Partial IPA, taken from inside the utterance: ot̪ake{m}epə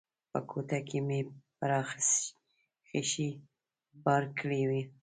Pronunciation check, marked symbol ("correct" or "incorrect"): correct